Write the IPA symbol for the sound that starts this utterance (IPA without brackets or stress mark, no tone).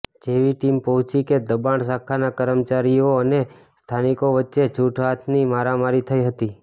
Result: d͡ʒ